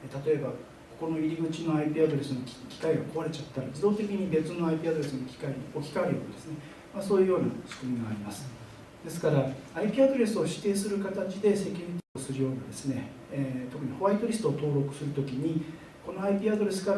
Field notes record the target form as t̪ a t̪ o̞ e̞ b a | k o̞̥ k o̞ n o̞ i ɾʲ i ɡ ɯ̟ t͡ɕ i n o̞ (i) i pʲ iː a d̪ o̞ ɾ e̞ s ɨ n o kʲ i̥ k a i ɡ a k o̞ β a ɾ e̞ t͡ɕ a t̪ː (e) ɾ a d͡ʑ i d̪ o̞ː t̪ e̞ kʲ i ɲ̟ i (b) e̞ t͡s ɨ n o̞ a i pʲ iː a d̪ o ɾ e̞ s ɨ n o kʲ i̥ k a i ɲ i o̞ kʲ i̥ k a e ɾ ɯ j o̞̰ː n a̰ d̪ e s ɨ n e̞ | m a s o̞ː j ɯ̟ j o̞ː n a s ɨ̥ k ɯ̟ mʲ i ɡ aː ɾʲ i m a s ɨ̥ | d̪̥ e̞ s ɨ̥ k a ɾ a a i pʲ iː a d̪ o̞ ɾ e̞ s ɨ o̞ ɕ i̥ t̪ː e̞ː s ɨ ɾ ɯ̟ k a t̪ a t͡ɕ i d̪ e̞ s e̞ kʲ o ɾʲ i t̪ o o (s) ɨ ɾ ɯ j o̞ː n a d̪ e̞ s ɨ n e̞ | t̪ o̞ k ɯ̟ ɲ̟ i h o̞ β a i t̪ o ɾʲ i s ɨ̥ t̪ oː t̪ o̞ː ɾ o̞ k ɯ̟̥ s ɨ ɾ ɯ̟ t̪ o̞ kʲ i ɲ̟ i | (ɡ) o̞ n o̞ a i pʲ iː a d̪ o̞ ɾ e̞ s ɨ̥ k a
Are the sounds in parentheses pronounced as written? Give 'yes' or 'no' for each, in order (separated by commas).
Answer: no, no, yes, yes, no